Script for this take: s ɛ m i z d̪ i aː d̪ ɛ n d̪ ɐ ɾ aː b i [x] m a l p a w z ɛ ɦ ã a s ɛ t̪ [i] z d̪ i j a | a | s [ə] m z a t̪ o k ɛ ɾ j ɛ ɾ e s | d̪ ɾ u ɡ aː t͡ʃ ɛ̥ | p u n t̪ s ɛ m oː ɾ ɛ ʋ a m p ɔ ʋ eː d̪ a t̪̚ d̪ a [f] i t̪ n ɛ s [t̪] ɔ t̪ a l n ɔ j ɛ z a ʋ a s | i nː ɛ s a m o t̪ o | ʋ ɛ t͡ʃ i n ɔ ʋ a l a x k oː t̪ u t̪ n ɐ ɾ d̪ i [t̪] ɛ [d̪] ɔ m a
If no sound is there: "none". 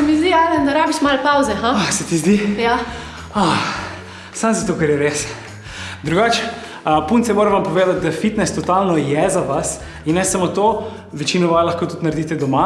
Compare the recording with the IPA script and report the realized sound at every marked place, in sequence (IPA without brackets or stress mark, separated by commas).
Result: ʃ, i, a, f, t̪, t̪, d̪